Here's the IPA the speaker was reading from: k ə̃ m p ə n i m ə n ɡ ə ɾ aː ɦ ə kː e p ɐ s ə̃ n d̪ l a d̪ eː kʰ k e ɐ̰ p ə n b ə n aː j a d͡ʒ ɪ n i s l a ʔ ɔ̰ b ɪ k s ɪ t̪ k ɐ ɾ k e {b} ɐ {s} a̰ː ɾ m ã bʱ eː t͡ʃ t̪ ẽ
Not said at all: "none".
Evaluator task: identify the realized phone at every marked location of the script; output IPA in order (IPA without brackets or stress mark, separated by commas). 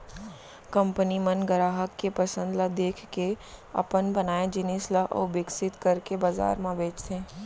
b, z